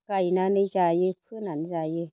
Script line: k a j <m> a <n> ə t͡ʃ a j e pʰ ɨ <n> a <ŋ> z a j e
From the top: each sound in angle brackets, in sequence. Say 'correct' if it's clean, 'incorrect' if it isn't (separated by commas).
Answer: incorrect, correct, correct, incorrect